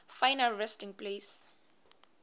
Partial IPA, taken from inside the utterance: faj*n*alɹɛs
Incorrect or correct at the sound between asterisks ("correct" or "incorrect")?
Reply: correct